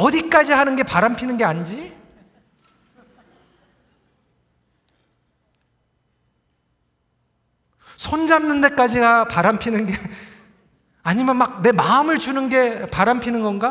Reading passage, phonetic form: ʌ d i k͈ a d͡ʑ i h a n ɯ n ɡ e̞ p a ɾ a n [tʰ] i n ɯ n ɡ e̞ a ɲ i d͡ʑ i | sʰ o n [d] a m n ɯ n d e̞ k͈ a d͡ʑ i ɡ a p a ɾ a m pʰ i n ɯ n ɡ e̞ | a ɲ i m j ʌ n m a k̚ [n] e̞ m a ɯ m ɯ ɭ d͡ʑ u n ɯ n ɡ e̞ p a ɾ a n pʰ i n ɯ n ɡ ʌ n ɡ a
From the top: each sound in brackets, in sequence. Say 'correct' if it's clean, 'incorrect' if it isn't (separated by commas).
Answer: incorrect, incorrect, correct